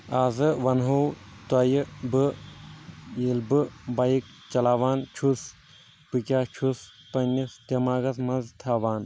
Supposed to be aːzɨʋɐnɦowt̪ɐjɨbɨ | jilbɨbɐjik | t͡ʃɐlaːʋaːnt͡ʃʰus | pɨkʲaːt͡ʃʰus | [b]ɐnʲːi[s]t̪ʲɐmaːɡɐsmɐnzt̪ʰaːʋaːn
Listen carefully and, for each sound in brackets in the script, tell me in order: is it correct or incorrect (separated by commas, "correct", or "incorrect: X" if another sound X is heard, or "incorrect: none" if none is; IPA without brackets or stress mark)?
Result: incorrect: p, correct